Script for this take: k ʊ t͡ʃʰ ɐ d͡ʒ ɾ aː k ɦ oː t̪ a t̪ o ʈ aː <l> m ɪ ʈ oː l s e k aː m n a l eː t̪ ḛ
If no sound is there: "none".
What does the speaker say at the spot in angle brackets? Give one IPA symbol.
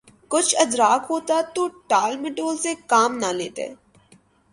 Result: l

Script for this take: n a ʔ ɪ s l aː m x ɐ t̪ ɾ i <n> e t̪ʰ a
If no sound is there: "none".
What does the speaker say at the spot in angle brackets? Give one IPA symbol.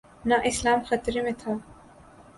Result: m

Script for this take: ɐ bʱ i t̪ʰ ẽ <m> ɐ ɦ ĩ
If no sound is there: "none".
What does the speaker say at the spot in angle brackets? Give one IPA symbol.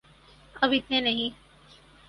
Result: n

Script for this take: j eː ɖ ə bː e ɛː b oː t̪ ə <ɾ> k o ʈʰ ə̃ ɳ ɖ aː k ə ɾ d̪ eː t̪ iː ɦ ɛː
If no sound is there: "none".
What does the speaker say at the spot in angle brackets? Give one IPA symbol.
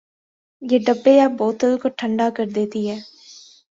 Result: l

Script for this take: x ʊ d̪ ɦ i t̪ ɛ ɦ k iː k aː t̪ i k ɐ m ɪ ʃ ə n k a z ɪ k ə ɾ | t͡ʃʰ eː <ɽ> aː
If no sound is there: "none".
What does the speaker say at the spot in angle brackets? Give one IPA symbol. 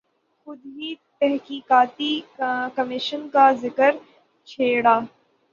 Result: ɽ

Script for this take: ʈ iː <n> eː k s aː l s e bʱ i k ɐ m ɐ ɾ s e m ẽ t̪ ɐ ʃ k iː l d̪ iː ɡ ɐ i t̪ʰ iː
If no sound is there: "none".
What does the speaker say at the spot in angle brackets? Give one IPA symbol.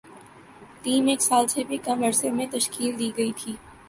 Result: m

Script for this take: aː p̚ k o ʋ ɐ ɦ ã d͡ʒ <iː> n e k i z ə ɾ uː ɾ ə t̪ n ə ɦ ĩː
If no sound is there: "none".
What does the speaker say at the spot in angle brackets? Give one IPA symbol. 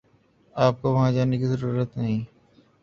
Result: aː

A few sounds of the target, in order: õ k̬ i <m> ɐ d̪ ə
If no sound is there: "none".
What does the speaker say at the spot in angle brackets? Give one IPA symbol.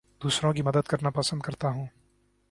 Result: m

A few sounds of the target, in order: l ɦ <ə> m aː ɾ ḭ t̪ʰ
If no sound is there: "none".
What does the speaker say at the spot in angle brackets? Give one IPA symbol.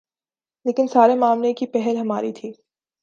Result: ɐ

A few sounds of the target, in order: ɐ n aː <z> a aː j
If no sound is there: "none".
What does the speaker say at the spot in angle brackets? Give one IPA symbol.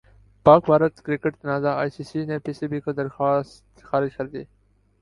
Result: z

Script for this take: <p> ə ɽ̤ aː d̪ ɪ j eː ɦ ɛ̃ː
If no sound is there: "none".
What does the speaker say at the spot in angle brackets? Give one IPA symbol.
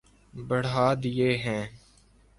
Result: b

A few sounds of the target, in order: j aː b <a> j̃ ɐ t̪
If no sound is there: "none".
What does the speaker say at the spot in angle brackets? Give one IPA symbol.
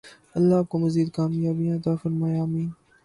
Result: i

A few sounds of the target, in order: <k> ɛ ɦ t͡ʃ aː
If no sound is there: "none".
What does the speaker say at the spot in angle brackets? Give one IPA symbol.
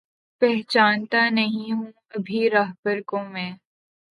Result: p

